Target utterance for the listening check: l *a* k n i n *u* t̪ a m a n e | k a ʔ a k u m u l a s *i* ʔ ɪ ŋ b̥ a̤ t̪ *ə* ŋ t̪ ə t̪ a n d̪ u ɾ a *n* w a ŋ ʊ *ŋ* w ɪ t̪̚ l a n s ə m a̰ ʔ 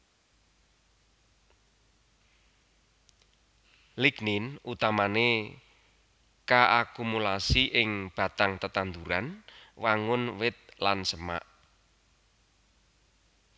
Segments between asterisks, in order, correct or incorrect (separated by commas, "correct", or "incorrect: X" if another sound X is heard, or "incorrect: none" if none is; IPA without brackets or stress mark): incorrect: i, correct, correct, incorrect: a, correct, incorrect: n